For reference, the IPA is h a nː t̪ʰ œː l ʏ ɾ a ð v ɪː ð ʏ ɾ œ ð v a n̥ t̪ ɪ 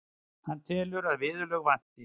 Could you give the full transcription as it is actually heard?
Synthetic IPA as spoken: h a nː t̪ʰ ɛː l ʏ ɾ a ð v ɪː ð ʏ l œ ɣ v a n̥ t̪ ɪ